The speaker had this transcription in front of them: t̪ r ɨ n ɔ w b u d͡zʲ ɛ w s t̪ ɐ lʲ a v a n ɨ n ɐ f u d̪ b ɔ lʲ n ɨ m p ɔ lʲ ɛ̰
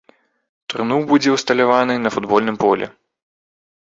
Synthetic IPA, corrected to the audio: t̪ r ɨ n u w b u d͡zʲ ɛ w s t̪ ɐ lʲ a v a n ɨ n ɐ f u d̪ b ɔ lʲ n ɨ m p ɔ lʲ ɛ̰